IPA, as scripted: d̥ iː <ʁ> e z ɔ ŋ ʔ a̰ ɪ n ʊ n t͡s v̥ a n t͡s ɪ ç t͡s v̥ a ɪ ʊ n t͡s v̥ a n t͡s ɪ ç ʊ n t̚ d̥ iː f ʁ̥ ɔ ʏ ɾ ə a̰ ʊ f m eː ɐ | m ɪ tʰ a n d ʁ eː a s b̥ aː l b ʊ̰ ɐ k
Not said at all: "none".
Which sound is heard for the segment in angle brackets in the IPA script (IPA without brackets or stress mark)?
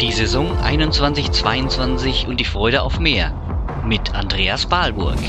z